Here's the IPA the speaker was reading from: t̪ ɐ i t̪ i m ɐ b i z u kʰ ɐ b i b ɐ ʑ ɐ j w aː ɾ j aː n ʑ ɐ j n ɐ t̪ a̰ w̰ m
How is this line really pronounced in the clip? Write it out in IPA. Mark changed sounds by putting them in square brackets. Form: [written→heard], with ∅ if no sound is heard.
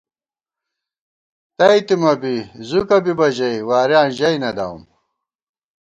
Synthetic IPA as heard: t̪ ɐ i t̪ i m ɐ b i z u [kʰ→k] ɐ b i b ɐ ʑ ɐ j w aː ɾ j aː n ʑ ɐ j n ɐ [t̪→d̪] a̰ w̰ m